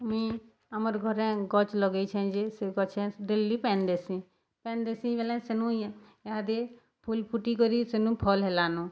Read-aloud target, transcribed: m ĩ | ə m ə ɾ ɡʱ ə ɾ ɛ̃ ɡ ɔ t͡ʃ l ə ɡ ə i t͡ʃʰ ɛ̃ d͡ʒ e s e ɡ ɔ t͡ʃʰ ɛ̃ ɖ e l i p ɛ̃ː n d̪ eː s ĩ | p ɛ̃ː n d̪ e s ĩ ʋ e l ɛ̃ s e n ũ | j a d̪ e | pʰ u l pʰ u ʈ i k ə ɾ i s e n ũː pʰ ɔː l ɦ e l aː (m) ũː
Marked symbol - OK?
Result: no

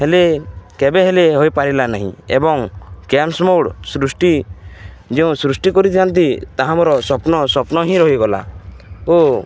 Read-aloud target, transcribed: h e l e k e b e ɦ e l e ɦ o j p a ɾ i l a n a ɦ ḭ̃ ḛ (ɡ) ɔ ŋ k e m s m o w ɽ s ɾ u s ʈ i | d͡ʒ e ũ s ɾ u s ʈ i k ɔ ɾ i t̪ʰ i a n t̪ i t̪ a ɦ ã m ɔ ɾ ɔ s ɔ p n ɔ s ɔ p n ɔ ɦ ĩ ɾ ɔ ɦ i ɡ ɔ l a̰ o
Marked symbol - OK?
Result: no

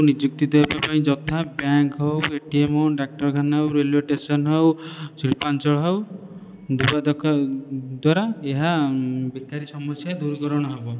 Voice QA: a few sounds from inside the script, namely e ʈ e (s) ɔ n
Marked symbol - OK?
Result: yes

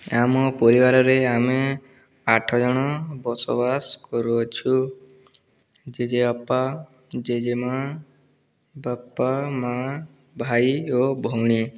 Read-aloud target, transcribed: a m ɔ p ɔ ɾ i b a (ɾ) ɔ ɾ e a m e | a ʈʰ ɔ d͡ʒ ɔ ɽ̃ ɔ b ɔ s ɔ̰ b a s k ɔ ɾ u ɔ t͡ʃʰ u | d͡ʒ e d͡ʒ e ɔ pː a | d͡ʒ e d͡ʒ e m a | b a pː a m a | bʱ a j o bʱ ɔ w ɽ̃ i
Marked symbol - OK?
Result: yes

